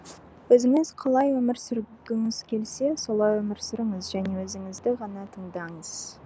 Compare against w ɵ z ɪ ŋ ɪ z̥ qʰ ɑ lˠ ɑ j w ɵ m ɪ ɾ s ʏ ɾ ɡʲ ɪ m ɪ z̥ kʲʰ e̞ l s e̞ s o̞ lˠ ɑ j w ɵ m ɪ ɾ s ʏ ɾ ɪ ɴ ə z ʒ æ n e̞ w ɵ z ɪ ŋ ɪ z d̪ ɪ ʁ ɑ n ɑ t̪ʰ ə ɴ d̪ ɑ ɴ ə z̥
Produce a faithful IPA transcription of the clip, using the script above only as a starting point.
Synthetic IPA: w ɵ z ɪ ŋ ɪ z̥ qʰ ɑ lˠ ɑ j w ɵ m ɪ ɾ s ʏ ɾ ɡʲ ɪ ŋ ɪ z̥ kʲʰ e̞ l s e̞ s o̞ lˠ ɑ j w ɵ m ɪ ɾ s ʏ ɾ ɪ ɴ ə z ʒ æ n e̞ w ɵ z ɪ ŋ ɪ z d̪ ɪ ʁ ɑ n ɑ t̪ʰ ə ɴ d̪ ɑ ɴ ə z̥